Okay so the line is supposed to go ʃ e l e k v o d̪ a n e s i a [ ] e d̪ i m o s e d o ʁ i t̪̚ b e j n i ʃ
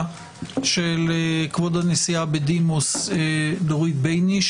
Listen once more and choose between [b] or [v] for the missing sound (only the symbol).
b